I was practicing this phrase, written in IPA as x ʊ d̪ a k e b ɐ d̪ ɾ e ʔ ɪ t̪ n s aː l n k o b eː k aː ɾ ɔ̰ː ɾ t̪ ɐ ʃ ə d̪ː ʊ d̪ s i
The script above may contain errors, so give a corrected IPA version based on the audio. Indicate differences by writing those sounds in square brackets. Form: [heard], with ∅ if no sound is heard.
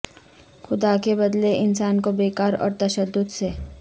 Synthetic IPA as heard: x ʊ d̪ a k e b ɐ d̪ [l] e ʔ ɪ [∅] n s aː [∅] n k o b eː k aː ɾ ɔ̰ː ɾ t̪ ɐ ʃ ə d̪ː ʊ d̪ s [e]